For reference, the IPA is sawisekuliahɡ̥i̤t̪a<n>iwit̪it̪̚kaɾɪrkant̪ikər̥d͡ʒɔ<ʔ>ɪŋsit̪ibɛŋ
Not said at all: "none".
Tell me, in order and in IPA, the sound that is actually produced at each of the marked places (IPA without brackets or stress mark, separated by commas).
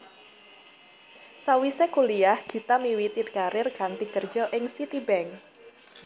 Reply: m, ʔ